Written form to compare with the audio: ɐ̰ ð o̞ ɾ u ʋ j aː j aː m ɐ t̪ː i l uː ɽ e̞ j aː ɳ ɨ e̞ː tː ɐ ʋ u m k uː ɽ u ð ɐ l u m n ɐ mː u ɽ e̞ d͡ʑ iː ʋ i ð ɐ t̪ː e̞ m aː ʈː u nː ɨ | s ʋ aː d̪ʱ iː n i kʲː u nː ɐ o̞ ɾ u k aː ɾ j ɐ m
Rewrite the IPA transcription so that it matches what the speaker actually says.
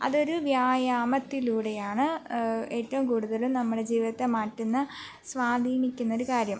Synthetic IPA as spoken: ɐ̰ ð o̞ ɾ u ʋ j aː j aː m ɐ t̪ː i l uː ɽ e̞ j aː ɳ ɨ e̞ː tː ɐ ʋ u m k uː ɽ u ð ɐ l u m n ɐ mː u ɽ e̞ d͡ʑ iː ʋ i ð ɐ t̪ː e̞ m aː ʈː u nː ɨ | s ʋ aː d̪ʱ iː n i kʲː u nː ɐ o̞ ɾ u k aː ɾ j ɐ m